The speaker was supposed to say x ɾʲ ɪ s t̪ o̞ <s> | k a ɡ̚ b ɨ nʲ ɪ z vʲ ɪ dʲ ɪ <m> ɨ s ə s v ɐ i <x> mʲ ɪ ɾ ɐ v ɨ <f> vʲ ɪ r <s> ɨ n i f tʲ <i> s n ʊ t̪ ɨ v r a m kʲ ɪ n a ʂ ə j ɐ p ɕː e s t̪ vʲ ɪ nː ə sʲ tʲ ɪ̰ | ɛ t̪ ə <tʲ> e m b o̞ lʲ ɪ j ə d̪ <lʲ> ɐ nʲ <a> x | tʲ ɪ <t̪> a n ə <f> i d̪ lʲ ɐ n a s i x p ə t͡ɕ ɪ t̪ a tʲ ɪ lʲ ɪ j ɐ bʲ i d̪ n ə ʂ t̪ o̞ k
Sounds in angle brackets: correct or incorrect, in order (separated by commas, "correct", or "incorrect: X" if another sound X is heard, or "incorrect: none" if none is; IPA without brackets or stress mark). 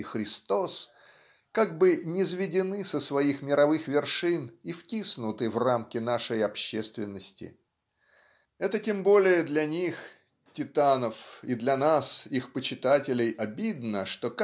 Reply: correct, incorrect: n, correct, incorrect: x, incorrect: ʂ, correct, correct, correct, incorrect: i, correct, correct